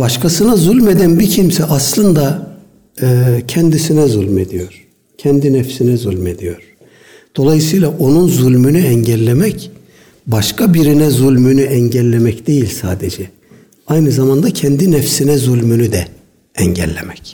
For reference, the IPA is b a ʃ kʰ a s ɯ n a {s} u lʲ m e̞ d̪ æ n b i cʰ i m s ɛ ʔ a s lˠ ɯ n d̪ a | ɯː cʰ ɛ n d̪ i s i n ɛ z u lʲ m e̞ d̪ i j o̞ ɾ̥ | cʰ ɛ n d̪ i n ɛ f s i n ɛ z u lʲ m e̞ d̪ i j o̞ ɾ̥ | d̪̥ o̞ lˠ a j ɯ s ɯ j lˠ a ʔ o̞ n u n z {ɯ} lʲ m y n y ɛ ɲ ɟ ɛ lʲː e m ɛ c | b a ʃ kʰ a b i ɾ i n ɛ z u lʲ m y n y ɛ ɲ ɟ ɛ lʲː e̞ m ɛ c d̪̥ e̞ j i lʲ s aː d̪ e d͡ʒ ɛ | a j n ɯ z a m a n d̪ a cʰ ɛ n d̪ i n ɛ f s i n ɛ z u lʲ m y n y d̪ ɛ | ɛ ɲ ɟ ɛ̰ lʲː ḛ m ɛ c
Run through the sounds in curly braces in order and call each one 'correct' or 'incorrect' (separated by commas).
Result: incorrect, incorrect